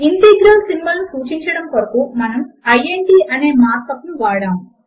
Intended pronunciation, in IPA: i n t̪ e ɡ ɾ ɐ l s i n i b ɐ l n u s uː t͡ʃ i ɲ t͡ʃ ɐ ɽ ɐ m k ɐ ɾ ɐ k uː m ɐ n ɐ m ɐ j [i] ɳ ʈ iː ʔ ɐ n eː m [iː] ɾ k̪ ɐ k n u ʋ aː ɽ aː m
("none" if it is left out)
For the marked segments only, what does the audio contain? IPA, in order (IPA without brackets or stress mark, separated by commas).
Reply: e, aː